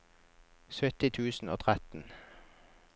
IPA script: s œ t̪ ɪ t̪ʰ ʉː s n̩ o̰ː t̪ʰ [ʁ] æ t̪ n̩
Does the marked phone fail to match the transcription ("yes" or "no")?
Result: no